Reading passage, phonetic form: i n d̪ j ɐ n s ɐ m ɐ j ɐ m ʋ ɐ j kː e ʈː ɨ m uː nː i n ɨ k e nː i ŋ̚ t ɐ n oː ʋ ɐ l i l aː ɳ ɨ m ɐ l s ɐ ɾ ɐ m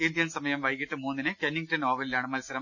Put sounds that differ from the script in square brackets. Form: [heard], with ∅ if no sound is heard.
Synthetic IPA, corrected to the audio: i n d̪ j ɐ n s ɐ m ɐ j ɐ m ʋ ɐ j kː [i] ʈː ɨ m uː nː i n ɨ k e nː i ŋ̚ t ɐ n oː ʋ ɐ l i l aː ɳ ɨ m ɐ l s ɐ ɾ ɐ m